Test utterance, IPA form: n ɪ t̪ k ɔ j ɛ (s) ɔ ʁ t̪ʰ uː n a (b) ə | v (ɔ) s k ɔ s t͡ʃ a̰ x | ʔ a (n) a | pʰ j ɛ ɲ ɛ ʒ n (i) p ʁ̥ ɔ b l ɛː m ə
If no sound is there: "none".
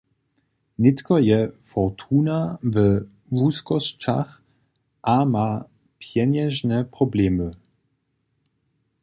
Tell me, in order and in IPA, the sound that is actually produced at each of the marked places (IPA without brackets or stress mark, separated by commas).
f, v, u, m, ɛ